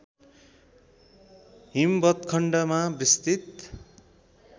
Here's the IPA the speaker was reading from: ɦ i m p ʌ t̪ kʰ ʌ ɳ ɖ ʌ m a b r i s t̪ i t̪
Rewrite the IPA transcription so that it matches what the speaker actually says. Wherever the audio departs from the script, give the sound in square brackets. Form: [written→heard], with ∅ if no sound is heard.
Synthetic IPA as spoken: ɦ i m [p→b] ʌ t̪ kʰ ʌ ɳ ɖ ʌ m a b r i s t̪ i t̪